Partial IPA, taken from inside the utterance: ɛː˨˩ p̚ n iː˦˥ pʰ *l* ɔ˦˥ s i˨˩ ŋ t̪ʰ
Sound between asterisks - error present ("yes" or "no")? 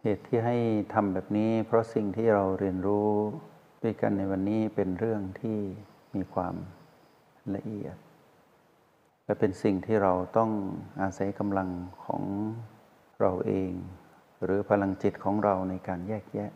yes